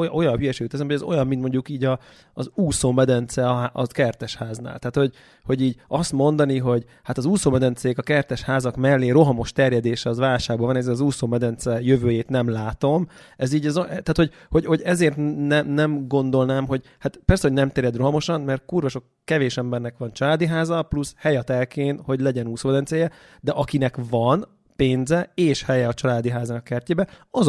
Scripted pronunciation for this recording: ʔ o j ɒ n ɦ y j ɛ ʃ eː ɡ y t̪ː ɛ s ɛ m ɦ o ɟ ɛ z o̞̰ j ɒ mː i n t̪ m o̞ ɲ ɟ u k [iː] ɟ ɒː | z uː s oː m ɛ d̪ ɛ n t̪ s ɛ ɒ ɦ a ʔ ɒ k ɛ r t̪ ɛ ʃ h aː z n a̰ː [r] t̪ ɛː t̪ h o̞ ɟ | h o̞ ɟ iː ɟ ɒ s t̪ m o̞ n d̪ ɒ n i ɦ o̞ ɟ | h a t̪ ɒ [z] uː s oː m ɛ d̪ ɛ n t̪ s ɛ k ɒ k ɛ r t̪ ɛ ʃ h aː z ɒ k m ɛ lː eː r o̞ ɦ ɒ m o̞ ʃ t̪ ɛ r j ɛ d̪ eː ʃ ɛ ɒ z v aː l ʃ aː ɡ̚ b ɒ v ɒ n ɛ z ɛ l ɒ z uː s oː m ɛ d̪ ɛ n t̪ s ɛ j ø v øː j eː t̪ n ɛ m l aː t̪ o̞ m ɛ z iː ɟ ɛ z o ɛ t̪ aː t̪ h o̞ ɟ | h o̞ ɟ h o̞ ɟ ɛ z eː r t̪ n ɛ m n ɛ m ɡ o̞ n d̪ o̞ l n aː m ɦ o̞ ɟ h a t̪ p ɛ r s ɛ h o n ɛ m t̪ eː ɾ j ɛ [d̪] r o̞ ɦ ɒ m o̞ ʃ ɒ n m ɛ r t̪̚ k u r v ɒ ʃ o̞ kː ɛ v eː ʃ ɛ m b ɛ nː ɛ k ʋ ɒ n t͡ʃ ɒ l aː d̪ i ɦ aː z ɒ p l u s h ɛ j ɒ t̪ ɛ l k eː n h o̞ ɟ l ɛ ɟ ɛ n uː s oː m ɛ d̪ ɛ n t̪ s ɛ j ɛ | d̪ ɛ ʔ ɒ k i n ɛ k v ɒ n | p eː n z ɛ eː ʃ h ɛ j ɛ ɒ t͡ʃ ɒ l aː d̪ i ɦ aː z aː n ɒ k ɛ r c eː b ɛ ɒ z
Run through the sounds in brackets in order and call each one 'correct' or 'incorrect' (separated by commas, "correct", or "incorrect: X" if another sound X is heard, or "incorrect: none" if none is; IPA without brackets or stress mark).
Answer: correct, incorrect: l, correct, correct